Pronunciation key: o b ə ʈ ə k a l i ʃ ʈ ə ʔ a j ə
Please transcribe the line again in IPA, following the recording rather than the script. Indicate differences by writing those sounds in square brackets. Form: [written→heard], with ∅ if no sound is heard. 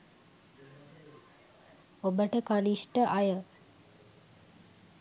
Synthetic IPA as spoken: o b ə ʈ ə k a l i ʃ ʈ ə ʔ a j ə